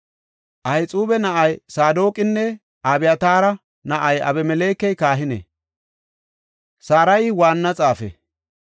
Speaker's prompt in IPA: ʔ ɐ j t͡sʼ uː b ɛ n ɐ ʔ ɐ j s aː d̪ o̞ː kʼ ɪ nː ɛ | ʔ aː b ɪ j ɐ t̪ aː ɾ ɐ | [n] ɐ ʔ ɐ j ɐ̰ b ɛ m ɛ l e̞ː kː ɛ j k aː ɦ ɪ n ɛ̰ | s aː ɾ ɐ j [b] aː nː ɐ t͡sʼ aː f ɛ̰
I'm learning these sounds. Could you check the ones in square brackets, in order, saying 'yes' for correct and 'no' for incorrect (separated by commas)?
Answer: yes, no